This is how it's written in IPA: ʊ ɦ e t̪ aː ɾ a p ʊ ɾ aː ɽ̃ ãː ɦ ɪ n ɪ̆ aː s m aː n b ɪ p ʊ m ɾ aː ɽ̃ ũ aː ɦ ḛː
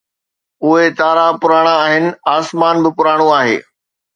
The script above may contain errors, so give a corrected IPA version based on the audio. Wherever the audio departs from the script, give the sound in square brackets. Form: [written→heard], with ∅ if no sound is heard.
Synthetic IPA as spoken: ʊ ɦ e t̪ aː ɾ a p ʊ ɾ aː ɽ̃ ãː ɦ ɪ n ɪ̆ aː s m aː n b ɪ p ʊ [m→∅] ɾ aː ɽ̃ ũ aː ɦ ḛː